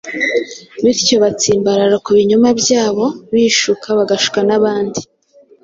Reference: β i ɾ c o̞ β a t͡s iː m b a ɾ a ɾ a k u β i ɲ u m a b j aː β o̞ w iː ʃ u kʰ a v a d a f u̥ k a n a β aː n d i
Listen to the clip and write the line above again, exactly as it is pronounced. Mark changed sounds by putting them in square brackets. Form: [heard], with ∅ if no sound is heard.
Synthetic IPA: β i ɾ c o̞ β a t͡s iː m b a ɾ a ɾ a k u β i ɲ u m a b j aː β o̞ [β] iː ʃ u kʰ a [β] a [ɡ] a [ʃ] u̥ k a n a β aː n d i